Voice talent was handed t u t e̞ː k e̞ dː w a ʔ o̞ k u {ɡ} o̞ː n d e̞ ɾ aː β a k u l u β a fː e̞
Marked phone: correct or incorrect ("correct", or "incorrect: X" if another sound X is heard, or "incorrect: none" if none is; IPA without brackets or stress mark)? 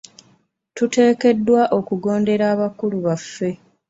correct